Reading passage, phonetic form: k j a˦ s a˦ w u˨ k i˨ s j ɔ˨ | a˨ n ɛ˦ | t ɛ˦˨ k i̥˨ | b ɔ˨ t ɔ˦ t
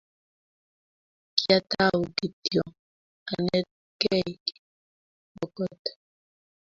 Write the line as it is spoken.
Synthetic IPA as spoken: k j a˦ t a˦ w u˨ k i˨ t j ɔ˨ | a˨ n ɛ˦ | k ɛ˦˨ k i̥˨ | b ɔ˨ k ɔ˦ t